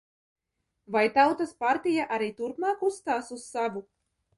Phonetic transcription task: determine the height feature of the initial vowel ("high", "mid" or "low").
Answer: low